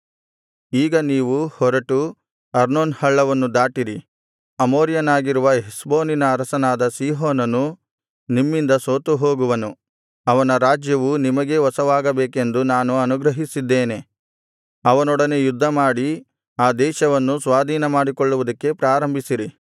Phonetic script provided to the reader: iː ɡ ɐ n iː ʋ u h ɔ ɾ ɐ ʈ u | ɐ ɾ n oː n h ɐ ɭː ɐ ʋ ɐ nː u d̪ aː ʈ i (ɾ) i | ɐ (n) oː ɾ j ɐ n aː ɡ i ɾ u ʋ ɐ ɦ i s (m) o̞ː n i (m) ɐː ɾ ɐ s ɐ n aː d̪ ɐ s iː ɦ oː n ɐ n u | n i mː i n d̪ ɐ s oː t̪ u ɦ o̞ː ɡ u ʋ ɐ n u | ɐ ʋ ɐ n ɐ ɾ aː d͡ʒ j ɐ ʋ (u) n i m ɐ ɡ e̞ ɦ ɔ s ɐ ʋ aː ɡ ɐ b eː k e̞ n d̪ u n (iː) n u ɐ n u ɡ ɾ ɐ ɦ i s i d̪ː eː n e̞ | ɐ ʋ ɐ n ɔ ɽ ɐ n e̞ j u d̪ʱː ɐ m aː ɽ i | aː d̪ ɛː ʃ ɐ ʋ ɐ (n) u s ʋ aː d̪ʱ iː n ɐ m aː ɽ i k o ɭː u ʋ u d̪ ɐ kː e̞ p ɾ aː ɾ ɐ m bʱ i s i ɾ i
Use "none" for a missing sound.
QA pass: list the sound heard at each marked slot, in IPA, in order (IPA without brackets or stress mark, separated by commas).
ɾ, m, b, n, u, aː, nː